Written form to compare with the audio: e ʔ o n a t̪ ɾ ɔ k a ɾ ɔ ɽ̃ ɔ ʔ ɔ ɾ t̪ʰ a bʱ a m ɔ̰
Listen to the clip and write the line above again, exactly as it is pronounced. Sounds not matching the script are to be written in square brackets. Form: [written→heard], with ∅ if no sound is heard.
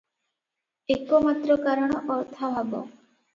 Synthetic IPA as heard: e [ʔ→k] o [n→m] a t̪ ɾ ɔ k a ɾ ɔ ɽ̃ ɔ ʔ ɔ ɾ t̪ʰ a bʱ a [m→b] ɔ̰